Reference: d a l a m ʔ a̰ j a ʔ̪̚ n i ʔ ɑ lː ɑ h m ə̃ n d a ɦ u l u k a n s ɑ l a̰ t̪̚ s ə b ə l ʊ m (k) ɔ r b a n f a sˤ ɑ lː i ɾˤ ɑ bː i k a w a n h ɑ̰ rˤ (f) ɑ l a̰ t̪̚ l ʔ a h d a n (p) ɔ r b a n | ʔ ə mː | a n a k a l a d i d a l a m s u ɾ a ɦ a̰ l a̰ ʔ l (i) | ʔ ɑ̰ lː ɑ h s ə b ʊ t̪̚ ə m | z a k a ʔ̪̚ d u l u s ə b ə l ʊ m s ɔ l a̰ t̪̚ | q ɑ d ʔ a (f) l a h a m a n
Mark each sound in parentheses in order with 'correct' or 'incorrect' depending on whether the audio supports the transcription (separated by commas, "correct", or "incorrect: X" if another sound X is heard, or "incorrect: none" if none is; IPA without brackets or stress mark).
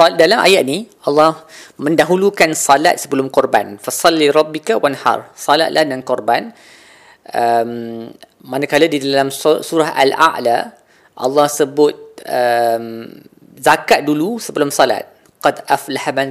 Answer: correct, incorrect: s, incorrect: k, incorrect: a, correct